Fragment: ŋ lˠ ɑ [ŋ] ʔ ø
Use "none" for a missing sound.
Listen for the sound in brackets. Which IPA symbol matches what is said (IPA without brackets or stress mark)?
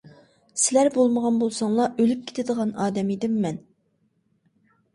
none